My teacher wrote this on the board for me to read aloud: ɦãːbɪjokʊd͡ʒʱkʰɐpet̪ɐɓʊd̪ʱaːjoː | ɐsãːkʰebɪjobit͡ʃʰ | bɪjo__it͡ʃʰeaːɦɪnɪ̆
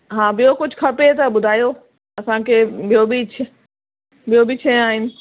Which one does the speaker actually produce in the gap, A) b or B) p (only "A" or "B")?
A